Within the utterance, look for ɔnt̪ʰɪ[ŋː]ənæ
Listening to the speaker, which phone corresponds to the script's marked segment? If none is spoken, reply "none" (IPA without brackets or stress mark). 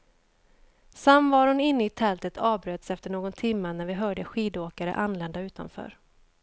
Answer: mː